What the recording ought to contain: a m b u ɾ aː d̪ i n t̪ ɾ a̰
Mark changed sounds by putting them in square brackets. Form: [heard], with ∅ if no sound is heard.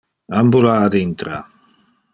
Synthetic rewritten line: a m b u [l] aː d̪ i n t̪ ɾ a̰

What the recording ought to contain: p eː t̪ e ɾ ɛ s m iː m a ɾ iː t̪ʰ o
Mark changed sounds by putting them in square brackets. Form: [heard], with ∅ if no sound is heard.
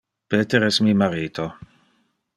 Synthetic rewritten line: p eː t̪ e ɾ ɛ s m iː m a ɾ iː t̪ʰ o

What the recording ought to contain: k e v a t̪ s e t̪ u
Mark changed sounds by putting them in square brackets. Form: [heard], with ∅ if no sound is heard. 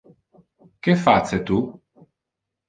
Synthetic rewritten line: k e [f] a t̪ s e t̪ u

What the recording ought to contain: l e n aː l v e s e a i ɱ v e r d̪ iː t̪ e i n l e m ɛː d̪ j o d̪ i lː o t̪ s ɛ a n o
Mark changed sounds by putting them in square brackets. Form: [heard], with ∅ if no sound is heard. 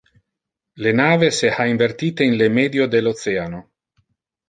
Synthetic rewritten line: l e n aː [∅] v e s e a i ɱ v e r [t̪] iː t̪ e i n l e m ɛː d̪ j o d̪ [e] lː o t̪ s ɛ a n o

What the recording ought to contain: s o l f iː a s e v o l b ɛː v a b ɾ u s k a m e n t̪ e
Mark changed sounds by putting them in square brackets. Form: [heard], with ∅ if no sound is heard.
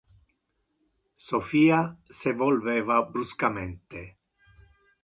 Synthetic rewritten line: s o [∅] f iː a s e v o l [v] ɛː v a b ɾ u s k a m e n t̪ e

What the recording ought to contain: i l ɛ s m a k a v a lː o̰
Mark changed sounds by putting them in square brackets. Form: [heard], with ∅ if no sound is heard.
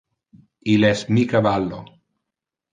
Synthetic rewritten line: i l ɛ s m [i] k a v a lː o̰

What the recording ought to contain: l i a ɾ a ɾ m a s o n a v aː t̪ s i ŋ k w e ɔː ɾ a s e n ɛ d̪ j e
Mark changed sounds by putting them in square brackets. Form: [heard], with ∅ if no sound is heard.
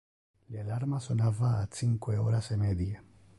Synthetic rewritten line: l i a [l] a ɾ m a s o n a v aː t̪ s i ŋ k w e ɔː ɾ a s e [m] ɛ d̪ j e

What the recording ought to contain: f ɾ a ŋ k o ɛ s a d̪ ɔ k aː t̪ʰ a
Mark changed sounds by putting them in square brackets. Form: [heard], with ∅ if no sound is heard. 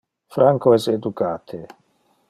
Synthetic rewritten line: f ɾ a ŋ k o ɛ s [e] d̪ [u] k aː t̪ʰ [e]

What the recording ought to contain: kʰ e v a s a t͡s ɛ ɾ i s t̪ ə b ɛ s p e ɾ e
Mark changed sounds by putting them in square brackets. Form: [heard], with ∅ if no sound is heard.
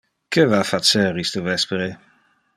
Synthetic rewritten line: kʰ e v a [f] a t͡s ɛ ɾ i s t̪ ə [v] ɛ s p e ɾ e

